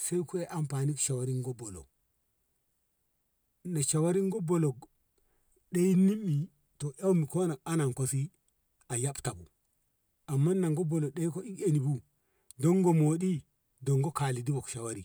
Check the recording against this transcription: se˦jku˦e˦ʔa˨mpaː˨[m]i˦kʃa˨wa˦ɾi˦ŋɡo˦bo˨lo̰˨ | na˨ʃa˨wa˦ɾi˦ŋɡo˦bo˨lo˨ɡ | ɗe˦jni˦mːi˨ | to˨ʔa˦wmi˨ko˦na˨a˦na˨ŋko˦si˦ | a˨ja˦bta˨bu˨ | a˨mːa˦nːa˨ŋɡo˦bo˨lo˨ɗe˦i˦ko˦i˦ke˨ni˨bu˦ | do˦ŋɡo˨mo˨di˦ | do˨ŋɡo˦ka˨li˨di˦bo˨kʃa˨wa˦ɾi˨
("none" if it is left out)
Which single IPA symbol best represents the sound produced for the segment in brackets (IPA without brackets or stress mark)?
n